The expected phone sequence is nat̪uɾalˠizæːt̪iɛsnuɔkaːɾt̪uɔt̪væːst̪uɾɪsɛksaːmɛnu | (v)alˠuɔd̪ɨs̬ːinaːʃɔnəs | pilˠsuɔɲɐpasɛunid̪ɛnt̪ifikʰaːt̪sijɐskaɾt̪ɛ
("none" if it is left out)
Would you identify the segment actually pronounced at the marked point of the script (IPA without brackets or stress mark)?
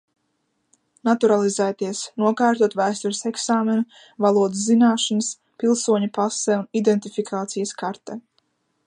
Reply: v